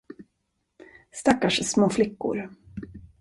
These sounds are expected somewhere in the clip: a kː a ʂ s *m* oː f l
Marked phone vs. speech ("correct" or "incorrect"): correct